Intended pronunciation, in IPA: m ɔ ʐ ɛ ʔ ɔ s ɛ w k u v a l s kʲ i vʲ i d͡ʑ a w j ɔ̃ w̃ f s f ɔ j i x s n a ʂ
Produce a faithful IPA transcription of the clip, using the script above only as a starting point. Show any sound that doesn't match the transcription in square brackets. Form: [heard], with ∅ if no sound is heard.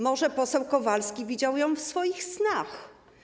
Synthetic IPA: m ɔ ʐ ɛ [p] ɔ s ɛ w k [ɔ] v a l s kʲ i vʲ i d͡ʑ a w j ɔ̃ w̃ f s f ɔ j i x s n a [x]